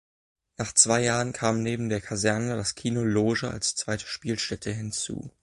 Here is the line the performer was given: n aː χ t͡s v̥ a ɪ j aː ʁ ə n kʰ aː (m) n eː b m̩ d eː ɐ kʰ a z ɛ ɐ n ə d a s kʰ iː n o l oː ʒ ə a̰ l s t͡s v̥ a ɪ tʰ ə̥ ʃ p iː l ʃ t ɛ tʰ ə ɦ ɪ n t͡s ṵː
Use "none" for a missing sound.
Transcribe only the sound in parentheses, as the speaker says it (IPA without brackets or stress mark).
m